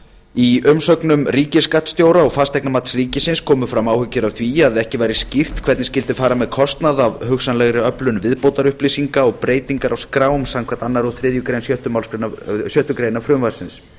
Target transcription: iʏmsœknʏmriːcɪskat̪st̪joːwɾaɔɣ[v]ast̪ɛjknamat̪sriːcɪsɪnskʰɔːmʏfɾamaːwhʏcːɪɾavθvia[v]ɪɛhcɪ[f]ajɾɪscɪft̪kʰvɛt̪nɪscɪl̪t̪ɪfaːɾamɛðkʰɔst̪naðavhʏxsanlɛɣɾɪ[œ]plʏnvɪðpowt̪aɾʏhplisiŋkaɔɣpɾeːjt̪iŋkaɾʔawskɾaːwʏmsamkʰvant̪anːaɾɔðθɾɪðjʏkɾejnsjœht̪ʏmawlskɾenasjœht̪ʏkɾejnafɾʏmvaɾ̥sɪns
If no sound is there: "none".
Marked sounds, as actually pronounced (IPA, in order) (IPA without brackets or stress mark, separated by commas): f, ð, v, œ